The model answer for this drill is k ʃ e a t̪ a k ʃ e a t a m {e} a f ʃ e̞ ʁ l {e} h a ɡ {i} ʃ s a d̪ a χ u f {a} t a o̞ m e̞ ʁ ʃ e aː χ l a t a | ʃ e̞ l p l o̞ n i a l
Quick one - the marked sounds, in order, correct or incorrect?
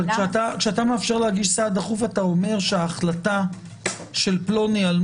correct, correct, correct, correct

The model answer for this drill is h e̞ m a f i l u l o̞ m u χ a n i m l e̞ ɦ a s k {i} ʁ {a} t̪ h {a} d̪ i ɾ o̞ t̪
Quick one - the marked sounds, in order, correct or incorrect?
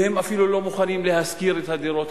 correct, incorrect: e, correct

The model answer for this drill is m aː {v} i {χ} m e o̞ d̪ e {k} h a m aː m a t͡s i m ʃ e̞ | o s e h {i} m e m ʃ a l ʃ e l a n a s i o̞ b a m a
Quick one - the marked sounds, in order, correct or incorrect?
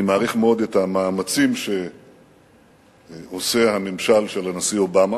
incorrect: ʁ, correct, incorrect: t, incorrect: a

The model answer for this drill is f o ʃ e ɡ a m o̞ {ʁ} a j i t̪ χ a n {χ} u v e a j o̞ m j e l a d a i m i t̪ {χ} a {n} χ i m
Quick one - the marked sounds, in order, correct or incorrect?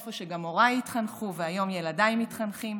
correct, correct, correct, correct

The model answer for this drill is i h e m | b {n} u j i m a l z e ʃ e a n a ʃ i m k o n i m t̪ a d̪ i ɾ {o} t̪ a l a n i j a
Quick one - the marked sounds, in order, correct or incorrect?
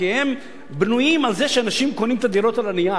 correct, correct

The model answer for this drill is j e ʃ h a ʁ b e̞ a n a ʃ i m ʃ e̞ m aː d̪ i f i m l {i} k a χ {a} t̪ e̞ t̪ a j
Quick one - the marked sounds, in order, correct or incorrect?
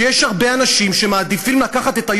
incorrect: a, correct

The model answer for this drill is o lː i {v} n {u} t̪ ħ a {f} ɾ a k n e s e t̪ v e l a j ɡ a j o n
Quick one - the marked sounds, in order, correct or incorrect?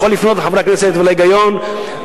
incorrect: f, incorrect: o, incorrect: v

